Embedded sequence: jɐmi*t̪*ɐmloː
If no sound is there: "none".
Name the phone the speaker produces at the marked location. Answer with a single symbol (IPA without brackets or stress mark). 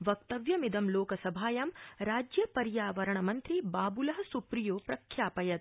d̪